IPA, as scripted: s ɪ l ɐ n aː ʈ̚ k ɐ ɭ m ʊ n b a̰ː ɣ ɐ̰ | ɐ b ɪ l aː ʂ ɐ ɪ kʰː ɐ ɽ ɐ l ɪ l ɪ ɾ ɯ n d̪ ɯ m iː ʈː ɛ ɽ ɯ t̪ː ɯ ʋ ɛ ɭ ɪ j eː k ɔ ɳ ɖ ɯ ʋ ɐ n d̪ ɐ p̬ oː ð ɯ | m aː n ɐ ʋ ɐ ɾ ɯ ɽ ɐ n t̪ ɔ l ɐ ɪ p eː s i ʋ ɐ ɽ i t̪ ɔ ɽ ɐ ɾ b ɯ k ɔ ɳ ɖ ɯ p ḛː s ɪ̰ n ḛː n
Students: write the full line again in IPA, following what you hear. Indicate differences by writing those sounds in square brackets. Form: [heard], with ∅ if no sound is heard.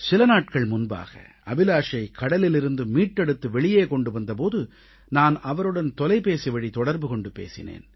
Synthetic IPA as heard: s ɪ l ɐ n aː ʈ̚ k ɐ ɭ m ʊ n b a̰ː ɣ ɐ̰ | ɐ b ɪ l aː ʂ ɐ ɪ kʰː ɐ ɽ ɐ l ɪ l ɪ ɾ ɯ n d̪ ɯ m iː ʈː ɛ ɽ ɯ t̪ː ɯ ʋ ɛ ɭ ɪ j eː k ɔ ɳ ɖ ɯ ʋ ɐ n d̪ ɐ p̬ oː ð ɯ | [n] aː n ɐ ʋ ɐ ɾ ɯ ɽ ɐ n t̪ ɔ l ɐ ɪ p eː s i ʋ ɐ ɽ i t̪ ɔ ɽ ɐ ɾ b ɯ k ɔ ɳ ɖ ɯ p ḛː s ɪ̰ n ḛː n